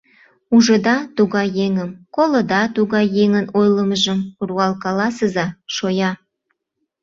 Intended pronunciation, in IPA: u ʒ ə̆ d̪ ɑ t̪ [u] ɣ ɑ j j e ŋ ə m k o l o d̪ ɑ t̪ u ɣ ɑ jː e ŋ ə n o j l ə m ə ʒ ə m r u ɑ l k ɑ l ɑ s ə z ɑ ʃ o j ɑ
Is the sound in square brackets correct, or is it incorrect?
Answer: correct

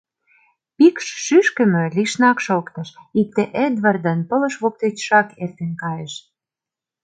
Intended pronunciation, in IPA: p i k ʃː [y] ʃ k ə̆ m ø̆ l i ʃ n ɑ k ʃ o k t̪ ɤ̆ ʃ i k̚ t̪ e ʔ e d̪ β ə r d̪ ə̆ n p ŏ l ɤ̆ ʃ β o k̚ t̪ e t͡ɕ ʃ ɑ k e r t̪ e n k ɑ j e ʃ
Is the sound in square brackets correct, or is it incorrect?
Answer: correct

